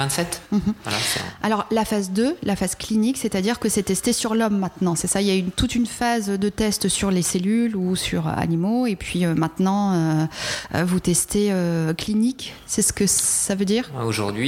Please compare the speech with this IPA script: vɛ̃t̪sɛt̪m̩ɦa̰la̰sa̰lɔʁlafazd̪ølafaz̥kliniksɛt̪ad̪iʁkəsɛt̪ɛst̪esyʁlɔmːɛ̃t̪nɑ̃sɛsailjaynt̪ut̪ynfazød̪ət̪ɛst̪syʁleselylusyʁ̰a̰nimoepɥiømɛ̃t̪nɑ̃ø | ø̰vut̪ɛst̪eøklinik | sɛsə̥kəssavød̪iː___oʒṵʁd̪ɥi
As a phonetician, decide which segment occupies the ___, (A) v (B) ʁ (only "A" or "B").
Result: B